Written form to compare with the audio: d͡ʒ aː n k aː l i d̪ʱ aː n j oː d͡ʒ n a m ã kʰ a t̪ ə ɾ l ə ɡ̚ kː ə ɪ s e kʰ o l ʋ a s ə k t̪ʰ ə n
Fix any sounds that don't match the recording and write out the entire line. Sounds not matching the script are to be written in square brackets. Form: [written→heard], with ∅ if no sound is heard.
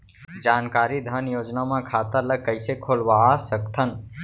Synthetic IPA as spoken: d͡ʒ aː n k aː [l→ɾ] i d̪ʱ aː n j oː d͡ʒ n a m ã kʰ a t̪ ə ɾ l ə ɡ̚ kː ə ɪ s e kʰ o l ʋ a s ə k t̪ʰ ə n